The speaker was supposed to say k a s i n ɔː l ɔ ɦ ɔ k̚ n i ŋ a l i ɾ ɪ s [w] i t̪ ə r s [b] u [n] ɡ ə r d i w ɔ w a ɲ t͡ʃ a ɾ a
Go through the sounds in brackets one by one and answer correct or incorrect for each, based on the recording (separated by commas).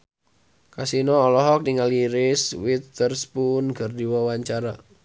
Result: correct, incorrect, correct